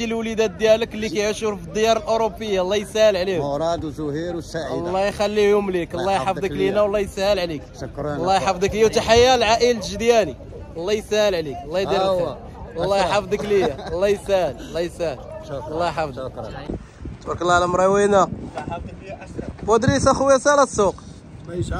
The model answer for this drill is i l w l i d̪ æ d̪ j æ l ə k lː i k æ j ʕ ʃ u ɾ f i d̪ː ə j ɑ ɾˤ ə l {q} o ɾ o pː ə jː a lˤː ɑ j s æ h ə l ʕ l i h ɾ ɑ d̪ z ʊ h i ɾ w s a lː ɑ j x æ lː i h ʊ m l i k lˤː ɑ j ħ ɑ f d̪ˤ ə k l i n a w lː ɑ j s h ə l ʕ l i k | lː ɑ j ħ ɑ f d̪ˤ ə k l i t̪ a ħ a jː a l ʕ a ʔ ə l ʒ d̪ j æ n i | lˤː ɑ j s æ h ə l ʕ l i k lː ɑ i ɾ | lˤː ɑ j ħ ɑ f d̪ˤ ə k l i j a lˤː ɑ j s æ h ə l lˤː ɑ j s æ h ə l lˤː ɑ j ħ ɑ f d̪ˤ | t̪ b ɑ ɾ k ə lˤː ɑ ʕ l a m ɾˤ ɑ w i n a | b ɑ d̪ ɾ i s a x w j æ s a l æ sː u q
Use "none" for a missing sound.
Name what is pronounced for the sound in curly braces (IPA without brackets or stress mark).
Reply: ʔ